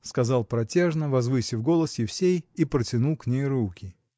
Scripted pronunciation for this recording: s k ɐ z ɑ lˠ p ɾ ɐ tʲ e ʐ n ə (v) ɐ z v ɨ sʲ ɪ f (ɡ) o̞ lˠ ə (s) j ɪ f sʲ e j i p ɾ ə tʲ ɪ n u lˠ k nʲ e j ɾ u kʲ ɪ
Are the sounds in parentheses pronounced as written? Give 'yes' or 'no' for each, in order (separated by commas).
yes, yes, yes